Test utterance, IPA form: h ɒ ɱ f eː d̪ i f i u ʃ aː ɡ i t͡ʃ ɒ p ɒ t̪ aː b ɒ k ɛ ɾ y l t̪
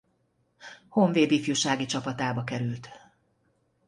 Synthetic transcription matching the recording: h o ɱ v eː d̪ i f j u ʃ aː ɡ i t͡ʃ ɒ p ɒ t̪ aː b ɒ k ɛ ɾ y l t̪